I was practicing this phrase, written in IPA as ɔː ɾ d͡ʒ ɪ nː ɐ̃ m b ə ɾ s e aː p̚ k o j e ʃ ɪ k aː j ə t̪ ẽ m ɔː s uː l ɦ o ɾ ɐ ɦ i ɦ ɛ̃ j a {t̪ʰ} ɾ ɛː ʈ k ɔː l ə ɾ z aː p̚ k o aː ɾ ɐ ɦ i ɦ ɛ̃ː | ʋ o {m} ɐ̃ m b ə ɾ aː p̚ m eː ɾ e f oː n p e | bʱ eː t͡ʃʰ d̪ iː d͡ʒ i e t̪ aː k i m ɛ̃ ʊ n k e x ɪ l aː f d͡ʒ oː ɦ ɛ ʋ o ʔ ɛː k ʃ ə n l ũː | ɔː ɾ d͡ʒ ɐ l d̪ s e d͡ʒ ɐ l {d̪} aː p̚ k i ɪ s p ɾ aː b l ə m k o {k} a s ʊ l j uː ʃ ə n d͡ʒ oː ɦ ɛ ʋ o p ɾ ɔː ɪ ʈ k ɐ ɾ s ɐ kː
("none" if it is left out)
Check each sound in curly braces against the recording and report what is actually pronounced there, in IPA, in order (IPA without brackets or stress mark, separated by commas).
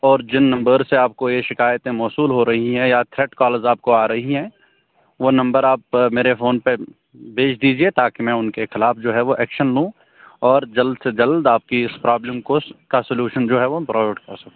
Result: t̪ʰ, n, d̪, k